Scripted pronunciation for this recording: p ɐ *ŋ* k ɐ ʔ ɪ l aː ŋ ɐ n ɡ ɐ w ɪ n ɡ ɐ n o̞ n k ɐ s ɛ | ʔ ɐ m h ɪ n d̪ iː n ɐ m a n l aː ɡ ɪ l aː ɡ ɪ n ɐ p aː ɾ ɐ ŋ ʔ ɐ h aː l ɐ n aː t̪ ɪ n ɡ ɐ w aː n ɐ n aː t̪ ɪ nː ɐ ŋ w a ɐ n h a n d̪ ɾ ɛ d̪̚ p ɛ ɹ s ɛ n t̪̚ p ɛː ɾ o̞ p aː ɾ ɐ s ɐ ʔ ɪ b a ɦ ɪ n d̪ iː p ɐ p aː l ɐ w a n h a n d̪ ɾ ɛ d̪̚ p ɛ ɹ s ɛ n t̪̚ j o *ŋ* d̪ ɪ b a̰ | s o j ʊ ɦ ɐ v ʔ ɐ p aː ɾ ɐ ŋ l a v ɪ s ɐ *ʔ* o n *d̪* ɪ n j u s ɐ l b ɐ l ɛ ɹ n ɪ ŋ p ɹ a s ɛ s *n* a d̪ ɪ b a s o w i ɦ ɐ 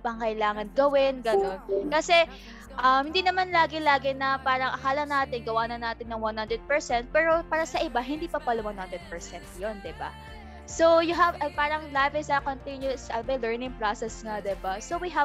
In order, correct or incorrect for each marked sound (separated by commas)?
correct, incorrect, incorrect, incorrect, incorrect